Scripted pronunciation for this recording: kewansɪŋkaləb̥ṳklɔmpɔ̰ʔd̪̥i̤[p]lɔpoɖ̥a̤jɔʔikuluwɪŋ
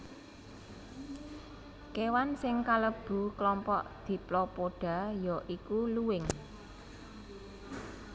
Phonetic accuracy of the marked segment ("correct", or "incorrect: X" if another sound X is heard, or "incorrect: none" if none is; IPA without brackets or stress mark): correct